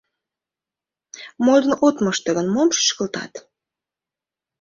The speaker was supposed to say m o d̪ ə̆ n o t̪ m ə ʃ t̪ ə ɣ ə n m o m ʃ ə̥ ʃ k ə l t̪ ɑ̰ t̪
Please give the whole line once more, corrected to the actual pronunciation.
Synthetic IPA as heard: m o d̪ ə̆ n o t̪ m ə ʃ t̪ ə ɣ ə n m o m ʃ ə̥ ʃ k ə l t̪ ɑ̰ t̪

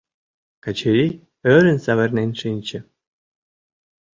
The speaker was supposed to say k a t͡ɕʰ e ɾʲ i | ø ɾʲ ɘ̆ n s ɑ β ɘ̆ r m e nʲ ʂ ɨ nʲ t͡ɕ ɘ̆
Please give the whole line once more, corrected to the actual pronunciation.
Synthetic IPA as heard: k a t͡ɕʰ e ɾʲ i | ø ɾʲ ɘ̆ n s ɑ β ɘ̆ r n e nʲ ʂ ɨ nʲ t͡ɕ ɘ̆

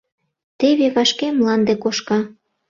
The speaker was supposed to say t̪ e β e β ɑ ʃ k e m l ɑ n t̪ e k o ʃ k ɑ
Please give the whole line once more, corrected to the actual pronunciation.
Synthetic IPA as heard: t̪ e β e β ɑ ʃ k e m l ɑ n d̪ e k o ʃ k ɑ

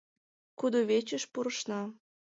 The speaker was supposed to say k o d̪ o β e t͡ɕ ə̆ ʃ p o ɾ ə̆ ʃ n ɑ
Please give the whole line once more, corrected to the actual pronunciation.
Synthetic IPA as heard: k u d̪ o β e t͡ɕ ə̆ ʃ p u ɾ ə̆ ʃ n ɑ

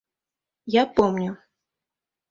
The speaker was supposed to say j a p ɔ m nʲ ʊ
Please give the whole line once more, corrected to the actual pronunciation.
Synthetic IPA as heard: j a p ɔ m nʲ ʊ

